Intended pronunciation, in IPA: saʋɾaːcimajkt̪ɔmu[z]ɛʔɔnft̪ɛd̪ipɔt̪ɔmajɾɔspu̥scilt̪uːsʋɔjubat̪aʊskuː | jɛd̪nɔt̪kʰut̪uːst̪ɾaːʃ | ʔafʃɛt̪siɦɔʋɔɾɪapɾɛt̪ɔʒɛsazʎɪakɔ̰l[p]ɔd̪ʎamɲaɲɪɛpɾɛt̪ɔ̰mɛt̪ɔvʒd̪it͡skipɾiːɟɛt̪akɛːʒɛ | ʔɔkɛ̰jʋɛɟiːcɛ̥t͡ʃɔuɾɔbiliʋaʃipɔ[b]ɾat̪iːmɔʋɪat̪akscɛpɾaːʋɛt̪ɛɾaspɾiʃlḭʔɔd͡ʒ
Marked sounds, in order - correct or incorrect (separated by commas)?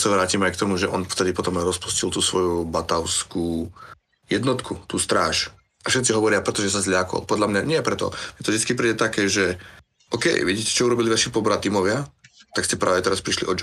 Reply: incorrect, correct, correct